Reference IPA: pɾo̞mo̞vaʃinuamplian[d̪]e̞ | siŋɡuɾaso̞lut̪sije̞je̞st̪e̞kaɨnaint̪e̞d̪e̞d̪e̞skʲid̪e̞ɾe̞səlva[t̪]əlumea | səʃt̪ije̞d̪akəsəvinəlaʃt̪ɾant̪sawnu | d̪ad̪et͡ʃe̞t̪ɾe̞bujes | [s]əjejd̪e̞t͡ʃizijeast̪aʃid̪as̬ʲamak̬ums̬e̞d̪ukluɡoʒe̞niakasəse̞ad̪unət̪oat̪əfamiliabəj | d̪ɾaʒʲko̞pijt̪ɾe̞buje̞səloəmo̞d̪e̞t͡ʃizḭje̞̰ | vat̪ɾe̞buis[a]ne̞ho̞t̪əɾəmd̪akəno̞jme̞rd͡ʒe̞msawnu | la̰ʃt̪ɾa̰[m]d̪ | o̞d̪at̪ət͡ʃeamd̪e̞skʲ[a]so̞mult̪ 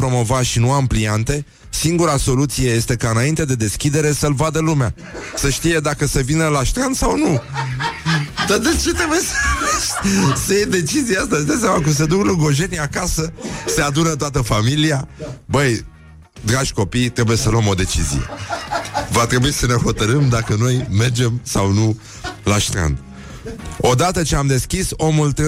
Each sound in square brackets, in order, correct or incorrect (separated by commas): incorrect, incorrect, correct, incorrect, incorrect, incorrect